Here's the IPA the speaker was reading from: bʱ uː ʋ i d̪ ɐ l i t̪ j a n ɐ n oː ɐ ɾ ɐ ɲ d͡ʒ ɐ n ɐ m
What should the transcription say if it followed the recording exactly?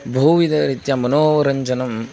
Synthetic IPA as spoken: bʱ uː ʋ i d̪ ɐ ɾ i t̪ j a m ɐ n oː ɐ ɾ ɐ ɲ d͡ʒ ɐ n ɐ m

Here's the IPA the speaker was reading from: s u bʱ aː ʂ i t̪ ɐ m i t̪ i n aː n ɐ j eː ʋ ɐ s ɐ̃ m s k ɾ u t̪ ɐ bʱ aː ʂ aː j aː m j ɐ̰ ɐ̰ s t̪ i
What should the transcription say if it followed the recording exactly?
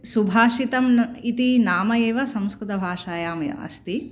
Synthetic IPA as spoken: s u bʱ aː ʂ i t̪ ɐ m i t̪ i n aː m ɐ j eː ʋ ɐ s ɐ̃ m s k ɾ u t̪ ɐ bʱ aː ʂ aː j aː m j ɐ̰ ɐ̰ s t̪ i

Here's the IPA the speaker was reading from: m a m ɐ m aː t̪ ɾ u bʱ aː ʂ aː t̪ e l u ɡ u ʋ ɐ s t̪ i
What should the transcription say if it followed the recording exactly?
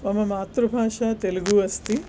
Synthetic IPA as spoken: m ɐ m ɐ m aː t̪ ɾ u bʱ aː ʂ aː t̪ e l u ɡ u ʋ ɐ s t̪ i

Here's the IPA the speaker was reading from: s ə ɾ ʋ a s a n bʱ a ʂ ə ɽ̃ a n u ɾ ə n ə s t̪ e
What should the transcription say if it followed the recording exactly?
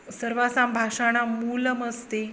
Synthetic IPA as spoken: s ə ɾ ʋ a s a m bʱ a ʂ a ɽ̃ a m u l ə m ə s t̪ e

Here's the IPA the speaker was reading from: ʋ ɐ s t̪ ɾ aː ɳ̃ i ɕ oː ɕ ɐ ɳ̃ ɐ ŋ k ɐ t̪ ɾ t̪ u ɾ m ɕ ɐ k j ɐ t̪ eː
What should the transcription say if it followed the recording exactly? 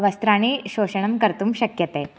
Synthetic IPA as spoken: ʋ ɐ s t̪ ɾ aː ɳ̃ i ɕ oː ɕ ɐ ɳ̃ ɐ m k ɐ ɾ t̪ u m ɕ ɐ k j ɐ t̪ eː

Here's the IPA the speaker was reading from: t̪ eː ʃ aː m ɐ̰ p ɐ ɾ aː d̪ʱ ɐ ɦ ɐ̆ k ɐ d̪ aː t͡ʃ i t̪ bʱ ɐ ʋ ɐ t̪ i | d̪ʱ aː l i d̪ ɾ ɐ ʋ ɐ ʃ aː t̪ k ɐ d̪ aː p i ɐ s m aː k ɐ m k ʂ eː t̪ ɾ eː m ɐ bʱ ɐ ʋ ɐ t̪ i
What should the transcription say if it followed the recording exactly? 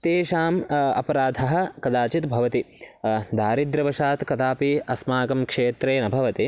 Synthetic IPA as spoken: t̪ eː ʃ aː m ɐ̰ p ɐ ɾ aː d̪ʱ ɐ ɦ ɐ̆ k ɐ d̪ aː t͡ʃ i t̪ bʱ ɐ ʋ ɐ t̪ i | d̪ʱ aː ɾ i d̪ ɾ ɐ ʋ ɐ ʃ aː t̪ k ɐ d̪ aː p i ɐ s m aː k ɐ m k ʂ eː t̪ ɾ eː n ɐ bʱ ɐ ʋ ɐ t̪ i

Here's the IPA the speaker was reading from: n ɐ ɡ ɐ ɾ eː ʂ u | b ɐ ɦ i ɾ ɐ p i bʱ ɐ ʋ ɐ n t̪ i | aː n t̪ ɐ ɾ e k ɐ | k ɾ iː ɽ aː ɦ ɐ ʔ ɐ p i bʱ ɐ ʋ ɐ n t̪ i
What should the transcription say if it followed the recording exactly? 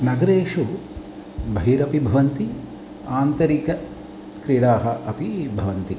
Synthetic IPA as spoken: n ɐ ɡ ɐ ɾ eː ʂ u | b ɐ ɦ i ɾ ɐ p i bʱ ɐ ʋ ɐ n t̪ i | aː n t̪ ɐ ɾ i k ɐ | k ɾ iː ɽ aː ɦ ɐ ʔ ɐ p i bʱ ɐ ʋ ɐ n t̪ i

